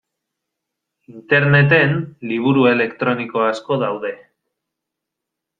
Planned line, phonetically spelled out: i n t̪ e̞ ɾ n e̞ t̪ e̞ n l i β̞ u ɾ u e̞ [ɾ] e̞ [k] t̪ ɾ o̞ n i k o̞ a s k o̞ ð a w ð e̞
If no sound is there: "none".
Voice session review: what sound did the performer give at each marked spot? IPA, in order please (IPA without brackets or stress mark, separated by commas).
l, k